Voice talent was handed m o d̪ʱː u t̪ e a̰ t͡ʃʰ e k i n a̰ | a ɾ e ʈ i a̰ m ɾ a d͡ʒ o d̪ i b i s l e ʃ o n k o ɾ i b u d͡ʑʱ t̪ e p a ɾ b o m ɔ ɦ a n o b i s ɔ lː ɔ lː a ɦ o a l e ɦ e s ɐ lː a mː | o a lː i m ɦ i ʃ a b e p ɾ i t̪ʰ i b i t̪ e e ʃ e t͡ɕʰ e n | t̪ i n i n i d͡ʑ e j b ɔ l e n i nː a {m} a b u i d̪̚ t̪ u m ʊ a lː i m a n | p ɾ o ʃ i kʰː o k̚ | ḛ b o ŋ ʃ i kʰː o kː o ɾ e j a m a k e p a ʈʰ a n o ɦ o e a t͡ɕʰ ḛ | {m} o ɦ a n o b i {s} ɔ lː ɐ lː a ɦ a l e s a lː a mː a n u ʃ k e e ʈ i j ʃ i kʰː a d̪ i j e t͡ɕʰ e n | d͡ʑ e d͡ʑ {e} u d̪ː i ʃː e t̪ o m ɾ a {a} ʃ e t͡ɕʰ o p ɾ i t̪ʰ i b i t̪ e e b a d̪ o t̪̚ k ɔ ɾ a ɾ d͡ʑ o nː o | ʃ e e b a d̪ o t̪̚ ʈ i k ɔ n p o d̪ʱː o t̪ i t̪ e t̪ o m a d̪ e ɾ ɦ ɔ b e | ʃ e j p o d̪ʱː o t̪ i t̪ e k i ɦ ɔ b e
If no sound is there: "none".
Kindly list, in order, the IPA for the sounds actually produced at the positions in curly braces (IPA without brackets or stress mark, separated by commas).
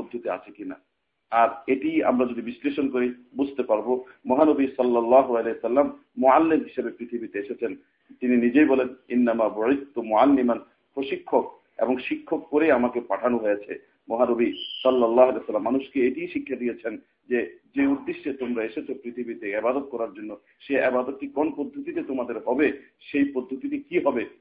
m, m, s, e, e